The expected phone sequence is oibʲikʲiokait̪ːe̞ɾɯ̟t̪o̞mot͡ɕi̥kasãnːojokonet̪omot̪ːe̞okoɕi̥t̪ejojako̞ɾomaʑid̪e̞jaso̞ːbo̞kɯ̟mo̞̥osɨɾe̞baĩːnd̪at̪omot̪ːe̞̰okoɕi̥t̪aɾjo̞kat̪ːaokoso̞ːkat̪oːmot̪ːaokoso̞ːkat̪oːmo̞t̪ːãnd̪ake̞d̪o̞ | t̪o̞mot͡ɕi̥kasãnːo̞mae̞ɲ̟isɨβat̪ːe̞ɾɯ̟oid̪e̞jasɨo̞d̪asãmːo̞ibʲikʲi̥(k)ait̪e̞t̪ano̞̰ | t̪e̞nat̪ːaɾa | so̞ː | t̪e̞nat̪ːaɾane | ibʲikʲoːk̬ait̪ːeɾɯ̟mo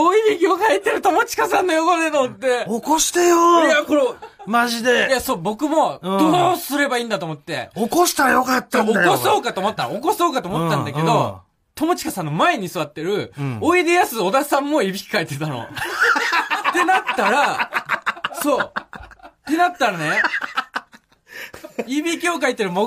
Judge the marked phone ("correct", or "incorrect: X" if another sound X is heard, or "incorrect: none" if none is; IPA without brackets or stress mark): correct